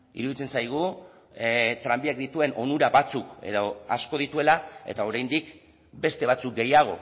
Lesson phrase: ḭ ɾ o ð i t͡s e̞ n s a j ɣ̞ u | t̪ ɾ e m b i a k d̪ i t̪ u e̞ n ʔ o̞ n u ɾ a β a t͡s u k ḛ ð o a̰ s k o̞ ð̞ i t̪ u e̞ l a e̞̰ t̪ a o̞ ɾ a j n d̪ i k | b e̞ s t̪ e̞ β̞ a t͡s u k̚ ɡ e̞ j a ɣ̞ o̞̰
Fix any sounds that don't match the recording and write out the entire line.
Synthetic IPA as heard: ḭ ɾ u ð i t͡s e̞ n s a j ɣ̞ u | t̪ ɾ a m b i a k d̪ i t̪ u e̞ n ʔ o̞ n u ɾ a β a t͡s u k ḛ ð o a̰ s k o̞ ð̞ i t̪ u e̞ l a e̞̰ t̪ a o̞ ɾ a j n d̪ i k | b e̞ s t̪ e̞ β̞ a t͡s u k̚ ɡ e̞ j a ɣ̞ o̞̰